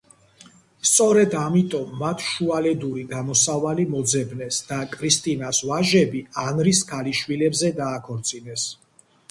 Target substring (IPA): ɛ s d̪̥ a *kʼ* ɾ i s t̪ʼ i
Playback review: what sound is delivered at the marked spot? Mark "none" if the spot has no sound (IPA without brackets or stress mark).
kʼ